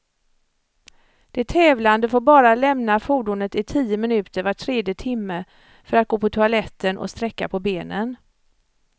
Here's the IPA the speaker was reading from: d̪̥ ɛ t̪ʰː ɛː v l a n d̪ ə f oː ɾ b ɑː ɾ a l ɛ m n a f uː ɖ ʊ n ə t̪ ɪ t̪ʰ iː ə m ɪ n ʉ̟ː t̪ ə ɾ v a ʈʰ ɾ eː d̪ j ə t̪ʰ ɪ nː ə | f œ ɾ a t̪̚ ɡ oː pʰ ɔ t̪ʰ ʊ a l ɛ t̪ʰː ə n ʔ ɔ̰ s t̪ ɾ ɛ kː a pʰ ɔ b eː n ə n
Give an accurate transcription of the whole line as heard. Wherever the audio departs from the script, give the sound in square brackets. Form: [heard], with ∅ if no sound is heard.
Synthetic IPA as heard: d̪̥ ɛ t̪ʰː ɛː v l a n d̪ ə f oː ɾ b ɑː ɾ a l ɛ m n a f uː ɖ ʊ n ə t̪ ɪ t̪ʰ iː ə m ɪ n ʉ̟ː t̪ ə ɾ v a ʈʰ ɾ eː d̪ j ə t̪ʰ ɪ [mː] ə | f œ ɾ a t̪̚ ɡ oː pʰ ɔ t̪ʰ ʊ a l ɛ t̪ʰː ə n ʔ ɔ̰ s t̪ ɾ ɛ kː a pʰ ɔ b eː n ə n